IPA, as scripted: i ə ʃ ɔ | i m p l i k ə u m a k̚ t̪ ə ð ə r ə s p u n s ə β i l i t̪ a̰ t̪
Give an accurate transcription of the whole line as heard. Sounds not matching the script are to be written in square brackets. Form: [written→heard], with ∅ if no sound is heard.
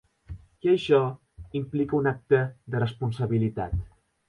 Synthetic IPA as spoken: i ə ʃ ɔ | i m p l i k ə u [m→n] a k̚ t̪ ə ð ə r ə s p u n s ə β i l i t̪ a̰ t̪